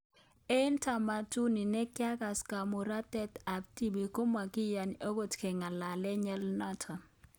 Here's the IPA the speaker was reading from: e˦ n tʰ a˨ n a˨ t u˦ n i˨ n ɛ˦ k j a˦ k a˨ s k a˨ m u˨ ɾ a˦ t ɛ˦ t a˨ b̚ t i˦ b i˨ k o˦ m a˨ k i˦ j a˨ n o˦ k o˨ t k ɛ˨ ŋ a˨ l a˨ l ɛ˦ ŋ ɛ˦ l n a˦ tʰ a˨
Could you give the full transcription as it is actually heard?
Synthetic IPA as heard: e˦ n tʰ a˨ m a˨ t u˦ n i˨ n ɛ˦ k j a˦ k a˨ s k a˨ m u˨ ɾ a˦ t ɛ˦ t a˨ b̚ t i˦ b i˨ k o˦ m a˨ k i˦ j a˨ n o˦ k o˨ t k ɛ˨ ŋ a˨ l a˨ l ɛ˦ ɲ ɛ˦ l n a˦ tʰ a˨